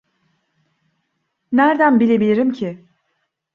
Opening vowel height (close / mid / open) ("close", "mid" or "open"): open